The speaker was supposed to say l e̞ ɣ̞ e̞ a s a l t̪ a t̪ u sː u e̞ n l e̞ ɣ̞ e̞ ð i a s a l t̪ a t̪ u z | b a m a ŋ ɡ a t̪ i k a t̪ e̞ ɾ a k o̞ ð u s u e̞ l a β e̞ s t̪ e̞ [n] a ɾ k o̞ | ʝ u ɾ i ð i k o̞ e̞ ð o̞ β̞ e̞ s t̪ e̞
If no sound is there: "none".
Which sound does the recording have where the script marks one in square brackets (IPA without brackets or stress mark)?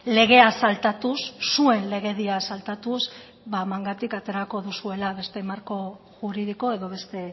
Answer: m